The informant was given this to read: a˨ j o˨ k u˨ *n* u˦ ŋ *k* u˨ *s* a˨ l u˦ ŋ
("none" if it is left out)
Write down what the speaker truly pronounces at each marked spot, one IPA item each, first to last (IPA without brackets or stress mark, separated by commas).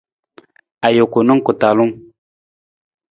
n, k, t